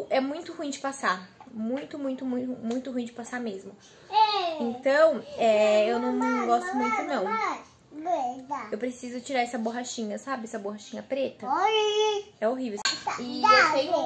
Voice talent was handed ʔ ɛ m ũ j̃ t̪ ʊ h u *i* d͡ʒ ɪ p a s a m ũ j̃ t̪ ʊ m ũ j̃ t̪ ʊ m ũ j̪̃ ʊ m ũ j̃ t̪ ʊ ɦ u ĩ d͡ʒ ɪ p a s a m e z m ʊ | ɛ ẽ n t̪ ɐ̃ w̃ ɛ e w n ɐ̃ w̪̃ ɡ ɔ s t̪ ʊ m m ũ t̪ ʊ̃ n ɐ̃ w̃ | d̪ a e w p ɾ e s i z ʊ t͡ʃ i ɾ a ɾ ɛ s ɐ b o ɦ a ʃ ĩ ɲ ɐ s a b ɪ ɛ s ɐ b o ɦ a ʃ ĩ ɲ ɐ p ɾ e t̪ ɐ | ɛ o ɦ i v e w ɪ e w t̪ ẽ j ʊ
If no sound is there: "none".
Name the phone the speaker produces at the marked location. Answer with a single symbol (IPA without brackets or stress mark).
ĩ